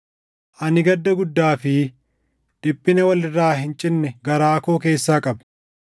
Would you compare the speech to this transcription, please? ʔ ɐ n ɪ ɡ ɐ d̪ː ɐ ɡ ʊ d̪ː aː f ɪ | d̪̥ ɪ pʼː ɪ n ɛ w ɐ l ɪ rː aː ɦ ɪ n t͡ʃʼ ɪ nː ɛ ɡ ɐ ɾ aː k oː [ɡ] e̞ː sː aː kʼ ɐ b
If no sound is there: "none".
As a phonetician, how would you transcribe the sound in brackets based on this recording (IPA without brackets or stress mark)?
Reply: k